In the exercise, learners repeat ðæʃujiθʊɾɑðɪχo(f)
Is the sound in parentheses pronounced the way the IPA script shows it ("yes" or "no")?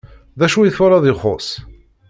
no